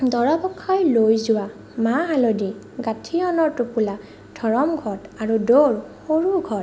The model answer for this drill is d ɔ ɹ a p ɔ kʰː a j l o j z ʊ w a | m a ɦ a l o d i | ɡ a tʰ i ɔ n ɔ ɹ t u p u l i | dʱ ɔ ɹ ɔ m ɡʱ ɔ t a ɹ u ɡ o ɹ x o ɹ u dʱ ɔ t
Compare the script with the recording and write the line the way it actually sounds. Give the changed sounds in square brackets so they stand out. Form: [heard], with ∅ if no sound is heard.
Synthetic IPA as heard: d ɔ ɹ a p ɔ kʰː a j l o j z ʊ w a | m a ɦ a l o d i | ɡ a tʰ i ɔ n ɔ ɹ t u p u l [a] | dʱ ɔ ɹ ɔ m ɡʱ ɔ t a ɹ u [d] o ɹ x o ɹ u [ɡʱ] ɔ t